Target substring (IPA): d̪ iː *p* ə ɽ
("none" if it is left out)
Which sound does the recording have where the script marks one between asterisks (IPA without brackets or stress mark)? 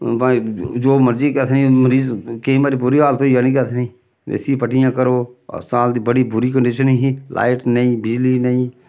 b